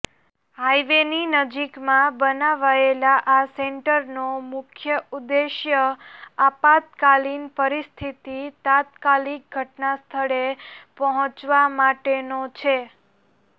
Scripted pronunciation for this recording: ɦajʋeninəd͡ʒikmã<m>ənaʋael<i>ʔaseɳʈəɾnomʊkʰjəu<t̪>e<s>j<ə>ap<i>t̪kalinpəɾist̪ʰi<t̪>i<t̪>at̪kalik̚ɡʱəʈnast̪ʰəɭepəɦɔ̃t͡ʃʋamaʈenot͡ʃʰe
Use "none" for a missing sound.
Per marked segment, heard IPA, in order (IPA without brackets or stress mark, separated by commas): b, a, d̪, ʃ, ə, a, t̪, t̪